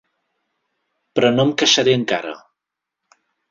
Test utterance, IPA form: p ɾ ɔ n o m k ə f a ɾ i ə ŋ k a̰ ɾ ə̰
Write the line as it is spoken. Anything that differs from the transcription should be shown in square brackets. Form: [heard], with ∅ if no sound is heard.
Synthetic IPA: p ɾ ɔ n o m k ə [ʃ] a ɾ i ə ŋ k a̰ ɾ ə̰